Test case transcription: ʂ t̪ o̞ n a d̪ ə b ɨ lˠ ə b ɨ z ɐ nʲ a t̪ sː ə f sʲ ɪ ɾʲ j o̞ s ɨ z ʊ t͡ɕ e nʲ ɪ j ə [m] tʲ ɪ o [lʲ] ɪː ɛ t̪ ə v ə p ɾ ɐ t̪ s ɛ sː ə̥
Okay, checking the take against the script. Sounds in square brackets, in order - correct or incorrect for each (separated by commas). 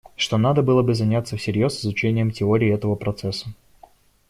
correct, incorrect